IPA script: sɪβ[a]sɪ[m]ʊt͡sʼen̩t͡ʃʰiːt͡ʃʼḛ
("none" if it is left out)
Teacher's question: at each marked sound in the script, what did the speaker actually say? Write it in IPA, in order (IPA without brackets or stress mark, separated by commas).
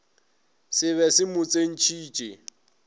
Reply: ɛ, m